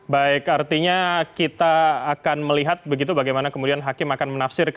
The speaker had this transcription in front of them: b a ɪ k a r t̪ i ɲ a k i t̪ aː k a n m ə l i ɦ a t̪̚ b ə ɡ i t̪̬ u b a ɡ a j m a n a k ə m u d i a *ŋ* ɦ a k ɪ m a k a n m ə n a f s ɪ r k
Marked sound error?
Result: yes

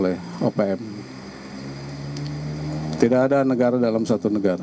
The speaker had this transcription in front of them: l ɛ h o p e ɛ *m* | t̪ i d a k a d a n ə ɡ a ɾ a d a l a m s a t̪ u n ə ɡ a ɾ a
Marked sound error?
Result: no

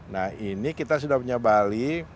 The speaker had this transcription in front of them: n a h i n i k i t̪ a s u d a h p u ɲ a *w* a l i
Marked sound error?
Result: yes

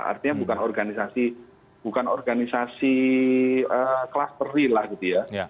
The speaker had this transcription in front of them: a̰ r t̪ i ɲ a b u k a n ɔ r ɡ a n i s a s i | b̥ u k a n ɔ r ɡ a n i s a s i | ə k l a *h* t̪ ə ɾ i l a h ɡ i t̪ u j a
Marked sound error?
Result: yes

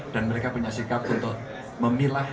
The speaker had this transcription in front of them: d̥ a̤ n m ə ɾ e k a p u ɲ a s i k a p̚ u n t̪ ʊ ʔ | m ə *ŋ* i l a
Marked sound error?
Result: yes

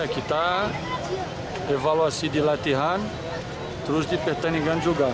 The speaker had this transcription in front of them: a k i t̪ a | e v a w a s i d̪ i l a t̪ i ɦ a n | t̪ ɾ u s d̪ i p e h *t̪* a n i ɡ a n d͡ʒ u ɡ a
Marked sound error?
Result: no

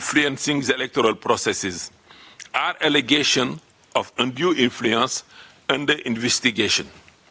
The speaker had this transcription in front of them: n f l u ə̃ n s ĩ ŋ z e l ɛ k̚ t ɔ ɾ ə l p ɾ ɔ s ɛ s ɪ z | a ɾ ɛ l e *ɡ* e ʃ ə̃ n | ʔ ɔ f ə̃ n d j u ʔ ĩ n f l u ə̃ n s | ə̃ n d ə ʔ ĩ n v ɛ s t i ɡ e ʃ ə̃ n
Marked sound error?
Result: no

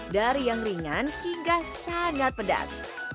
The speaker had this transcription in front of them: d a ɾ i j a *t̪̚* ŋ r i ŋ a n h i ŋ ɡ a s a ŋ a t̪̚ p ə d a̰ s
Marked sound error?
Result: yes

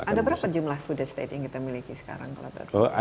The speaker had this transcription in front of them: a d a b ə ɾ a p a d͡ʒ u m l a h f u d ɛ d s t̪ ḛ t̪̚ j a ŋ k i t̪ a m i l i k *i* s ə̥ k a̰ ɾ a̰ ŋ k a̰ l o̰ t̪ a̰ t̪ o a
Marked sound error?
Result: no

